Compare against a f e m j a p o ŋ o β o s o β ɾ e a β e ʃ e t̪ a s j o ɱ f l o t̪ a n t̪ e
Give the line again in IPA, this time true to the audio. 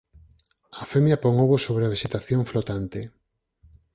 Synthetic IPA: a f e m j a p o ŋ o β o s o β ɾ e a β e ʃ e t̪ a θ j o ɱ f l o t̪ a n t̪ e